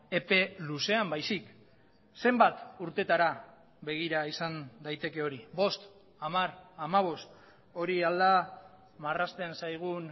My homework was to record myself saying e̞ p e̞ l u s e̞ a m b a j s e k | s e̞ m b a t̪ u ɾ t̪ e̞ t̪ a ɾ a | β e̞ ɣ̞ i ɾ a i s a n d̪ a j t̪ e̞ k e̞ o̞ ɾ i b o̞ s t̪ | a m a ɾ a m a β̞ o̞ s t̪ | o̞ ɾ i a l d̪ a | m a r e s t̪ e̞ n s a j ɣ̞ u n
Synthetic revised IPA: e̞ p e̞ l u s e̞ a m b a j s i k | s e̞ m b a t̪ u ɾ t̪ e̞ t̪ a ɾ a | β e̞ ɣ̞ i ɾ a i s a n d̪ a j t̪ e̞ k e̞ o̞ ɾ i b o̞ s t̪ | a m a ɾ a m a β̞ o̞ s t̪ | o̞ ɾ i a l d̪ a | m a r a s t̪ e̞ n s a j ɣ̞ u n